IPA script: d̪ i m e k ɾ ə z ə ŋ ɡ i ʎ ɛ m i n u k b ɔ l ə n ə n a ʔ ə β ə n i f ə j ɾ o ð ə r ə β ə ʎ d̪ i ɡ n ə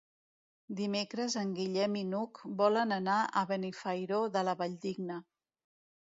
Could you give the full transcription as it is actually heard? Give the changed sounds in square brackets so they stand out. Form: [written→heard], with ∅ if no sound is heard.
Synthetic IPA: d̪ i m e k ɾ ə z ə ŋ ɡ i ʎ ɛ m i n u k b ɔ l ə n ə n a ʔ ə β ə n i f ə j ɾ o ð ə [r→l] ə β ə ʎ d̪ i ɡ n ə